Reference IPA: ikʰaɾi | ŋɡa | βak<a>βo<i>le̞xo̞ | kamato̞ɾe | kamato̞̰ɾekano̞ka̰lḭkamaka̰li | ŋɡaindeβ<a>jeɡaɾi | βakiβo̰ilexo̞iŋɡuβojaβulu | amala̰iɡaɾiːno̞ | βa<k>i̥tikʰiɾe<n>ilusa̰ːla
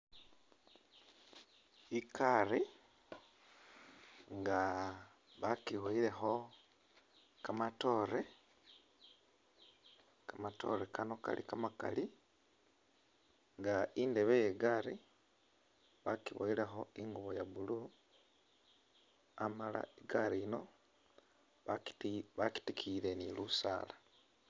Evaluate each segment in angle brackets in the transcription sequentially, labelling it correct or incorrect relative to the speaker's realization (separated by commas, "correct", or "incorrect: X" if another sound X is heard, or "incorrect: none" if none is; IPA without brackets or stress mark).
incorrect: i, correct, incorrect: e, correct, correct